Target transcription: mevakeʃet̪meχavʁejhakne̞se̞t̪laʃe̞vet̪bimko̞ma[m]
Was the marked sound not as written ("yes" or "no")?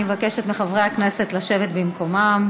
no